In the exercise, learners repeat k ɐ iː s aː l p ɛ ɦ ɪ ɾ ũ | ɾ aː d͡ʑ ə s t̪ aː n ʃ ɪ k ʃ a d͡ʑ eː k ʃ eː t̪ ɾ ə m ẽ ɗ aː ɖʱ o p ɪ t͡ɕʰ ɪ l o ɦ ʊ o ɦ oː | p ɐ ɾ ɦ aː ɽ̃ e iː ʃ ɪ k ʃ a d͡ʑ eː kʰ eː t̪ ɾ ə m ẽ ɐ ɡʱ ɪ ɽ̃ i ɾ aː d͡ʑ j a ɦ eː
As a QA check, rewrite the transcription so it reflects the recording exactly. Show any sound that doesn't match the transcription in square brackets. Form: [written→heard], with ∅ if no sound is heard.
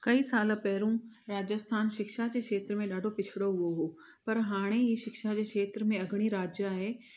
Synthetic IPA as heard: k ɐ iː s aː l p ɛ ɦ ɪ ɾ ũ | ɾ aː d͡ʑ ə s [t̪→t̪ʰ] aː n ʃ ɪ k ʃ a d͡ʑ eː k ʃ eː t̪ ɾ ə m ẽ ɗ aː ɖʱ o p ɪ t͡ɕʰ ɪ [l→ɽ] o ɦ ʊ o ɦ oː | p ɐ ɾ ɦ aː ɽ̃ e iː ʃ ɪ k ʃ a d͡ʑ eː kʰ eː t̪ ɾ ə m ẽ ɐ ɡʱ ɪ ɽ̃ i ɾ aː d͡ʑ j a ɦ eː